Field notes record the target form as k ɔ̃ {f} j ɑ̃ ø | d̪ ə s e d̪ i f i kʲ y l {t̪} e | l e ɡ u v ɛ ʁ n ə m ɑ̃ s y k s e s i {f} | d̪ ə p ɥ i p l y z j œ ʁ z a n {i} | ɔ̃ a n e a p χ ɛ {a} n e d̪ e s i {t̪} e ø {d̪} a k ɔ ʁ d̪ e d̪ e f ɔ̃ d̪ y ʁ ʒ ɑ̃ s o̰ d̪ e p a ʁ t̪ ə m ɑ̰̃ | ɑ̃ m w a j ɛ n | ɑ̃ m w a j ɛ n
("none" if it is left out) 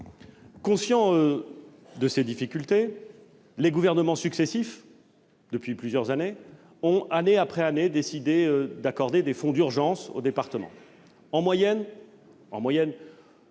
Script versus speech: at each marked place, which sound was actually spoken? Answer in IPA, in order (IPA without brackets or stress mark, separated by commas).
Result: s, t̪, f, e, a, d̪, d̪